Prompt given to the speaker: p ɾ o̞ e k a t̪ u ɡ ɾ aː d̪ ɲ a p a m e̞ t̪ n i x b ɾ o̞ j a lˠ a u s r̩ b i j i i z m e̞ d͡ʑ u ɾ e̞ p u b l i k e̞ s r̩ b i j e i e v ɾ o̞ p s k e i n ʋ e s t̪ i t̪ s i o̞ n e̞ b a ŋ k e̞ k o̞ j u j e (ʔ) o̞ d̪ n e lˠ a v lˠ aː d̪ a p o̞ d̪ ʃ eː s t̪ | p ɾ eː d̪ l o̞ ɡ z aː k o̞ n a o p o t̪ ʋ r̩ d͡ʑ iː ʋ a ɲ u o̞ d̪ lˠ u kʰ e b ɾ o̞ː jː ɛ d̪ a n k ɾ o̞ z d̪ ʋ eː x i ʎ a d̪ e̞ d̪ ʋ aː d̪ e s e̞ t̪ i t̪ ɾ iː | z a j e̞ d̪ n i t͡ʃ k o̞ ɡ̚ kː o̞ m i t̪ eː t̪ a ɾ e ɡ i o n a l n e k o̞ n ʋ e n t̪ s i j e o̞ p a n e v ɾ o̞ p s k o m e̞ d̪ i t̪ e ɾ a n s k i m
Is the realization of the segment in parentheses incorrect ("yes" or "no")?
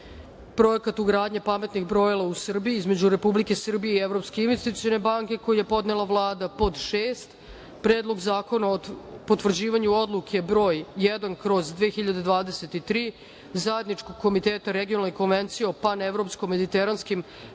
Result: yes